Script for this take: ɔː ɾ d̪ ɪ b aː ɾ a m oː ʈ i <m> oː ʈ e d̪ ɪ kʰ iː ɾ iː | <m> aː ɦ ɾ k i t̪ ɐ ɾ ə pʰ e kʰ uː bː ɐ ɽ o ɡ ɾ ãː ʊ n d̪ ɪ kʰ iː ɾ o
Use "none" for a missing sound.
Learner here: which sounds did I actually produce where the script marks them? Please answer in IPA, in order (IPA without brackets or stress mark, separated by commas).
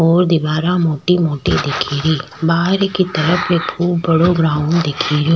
m, b